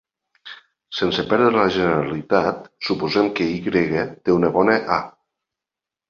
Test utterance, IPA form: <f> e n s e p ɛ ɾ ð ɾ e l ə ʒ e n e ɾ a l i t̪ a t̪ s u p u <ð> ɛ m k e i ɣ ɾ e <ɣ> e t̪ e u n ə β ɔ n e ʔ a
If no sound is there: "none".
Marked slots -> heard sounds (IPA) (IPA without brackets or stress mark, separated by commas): s, z, ɣ